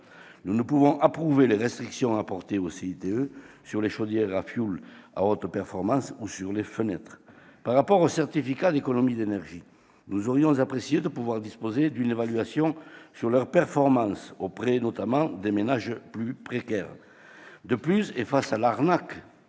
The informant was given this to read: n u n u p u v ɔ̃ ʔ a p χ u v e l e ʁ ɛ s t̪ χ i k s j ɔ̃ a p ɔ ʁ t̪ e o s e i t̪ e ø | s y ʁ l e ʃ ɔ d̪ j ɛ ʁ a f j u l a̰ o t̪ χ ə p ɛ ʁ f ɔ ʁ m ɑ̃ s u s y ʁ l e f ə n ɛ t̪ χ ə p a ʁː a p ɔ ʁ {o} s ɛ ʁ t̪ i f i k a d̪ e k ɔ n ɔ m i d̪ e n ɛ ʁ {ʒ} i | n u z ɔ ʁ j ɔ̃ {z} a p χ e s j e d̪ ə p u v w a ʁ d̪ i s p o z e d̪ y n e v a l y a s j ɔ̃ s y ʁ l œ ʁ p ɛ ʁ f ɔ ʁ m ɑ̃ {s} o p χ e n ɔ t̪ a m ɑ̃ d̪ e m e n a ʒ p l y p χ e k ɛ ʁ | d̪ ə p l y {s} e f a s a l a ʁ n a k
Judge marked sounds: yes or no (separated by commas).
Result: yes, yes, yes, yes, yes